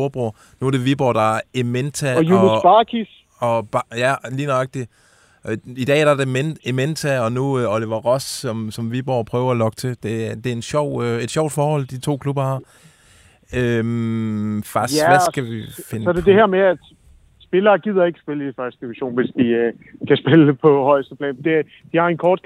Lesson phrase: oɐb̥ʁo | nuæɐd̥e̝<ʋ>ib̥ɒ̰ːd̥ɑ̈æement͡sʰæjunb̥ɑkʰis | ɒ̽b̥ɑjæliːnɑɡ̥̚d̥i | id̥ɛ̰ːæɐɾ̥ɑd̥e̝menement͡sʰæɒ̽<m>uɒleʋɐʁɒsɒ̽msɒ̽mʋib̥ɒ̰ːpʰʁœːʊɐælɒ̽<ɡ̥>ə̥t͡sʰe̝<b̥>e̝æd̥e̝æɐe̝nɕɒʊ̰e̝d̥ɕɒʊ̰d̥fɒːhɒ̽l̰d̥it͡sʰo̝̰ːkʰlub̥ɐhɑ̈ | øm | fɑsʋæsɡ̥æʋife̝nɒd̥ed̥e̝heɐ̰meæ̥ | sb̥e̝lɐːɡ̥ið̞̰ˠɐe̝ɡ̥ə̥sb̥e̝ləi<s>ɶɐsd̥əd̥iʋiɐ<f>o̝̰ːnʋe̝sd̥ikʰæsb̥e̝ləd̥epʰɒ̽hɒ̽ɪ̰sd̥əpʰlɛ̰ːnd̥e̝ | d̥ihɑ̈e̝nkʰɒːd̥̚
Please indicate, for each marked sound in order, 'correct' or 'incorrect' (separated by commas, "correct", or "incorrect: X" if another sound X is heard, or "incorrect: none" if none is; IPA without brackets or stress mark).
correct, incorrect: n, correct, incorrect: d̥, incorrect: f, incorrect: ɕ